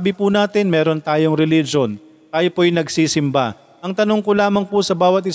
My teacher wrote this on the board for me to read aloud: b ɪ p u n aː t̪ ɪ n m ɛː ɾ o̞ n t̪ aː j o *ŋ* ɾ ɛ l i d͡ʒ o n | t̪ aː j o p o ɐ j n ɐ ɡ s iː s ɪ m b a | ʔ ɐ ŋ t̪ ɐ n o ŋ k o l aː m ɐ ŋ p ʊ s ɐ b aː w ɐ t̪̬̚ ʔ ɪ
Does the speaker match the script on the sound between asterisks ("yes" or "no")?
yes